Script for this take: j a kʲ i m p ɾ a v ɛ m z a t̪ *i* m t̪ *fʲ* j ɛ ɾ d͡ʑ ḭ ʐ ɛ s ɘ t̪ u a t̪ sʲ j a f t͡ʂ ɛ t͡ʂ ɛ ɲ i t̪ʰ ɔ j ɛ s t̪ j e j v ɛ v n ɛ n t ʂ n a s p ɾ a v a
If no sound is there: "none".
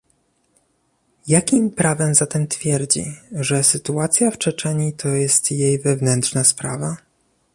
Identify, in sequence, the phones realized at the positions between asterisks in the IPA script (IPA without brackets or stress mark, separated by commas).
ɛ, fʲ